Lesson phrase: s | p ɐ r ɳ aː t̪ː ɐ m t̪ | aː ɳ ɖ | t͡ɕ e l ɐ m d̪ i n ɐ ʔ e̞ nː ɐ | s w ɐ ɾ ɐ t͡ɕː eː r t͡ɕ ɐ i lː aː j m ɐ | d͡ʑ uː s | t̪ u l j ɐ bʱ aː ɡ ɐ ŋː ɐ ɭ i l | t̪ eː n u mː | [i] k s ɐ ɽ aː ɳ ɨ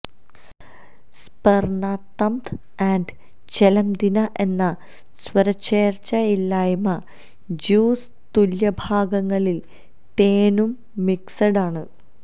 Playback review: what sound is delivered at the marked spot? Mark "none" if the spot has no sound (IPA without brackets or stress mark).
i